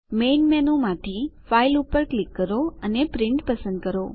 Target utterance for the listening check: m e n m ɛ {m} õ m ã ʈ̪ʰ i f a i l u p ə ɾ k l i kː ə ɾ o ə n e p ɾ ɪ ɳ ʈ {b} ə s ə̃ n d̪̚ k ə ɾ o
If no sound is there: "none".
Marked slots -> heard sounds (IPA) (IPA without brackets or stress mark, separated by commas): n, p